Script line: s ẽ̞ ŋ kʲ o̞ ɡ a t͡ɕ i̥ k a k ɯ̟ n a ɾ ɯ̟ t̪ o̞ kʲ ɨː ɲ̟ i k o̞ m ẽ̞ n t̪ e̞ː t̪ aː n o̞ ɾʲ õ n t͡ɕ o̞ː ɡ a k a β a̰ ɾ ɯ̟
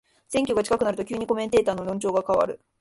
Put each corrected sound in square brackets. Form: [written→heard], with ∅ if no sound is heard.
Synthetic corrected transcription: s ẽ̞ ŋ kʲ o̞ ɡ a t͡ɕ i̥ k a k ɯ̟ n a ɾ ɯ̟ t̪ o̞ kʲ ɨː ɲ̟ i k o̞ m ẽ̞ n t̪ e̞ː t̪ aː n o̞ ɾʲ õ [n→ɲ] t͡ɕ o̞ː ɡ a k a β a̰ ɾ ɯ̟